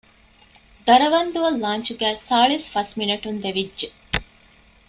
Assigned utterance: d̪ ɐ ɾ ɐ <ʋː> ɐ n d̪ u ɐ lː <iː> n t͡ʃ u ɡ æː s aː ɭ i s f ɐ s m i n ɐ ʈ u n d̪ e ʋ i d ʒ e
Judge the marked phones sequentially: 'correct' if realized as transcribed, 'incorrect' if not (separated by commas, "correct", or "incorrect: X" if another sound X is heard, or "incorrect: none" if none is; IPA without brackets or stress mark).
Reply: incorrect: ʋ, incorrect: aː